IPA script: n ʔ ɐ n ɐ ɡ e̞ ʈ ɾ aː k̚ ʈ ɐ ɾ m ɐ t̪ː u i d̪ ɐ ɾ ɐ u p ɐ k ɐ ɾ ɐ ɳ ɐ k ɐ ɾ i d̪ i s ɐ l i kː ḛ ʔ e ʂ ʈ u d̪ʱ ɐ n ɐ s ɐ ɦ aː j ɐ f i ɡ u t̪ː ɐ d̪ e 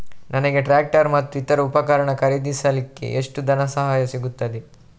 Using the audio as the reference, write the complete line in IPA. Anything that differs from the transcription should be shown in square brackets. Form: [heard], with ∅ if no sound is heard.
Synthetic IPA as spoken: n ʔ ɐ n ɐ ɡ e̞ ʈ ɾ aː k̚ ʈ ɐ ɾ m ɐ t̪ː u i [t̪] ɐ ɾ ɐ u p ɐ k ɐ ɾ ɐ ɳ ɐ k ɐ ɾ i d̪ i s ɐ l i kː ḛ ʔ e ʂ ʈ u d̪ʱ ɐ n ɐ s ɐ ɦ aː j ɐ [s] i ɡ u t̪ː ɐ d̪ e